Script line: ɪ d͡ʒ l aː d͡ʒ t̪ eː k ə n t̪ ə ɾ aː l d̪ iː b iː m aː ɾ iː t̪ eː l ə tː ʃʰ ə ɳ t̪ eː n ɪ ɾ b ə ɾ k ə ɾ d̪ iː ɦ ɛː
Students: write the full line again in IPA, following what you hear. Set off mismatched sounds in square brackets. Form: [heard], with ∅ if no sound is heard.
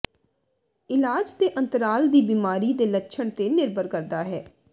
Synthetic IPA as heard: ɪ [∅] l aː d͡ʒ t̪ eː [ʔ] ə n t̪ ə ɾ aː l d̪ iː b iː m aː ɾ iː [d̪] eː l ə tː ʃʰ ə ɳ t̪ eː n ɪ ɾ b ə ɾ k ə ɾ d̪ [aː] ɦ ɛː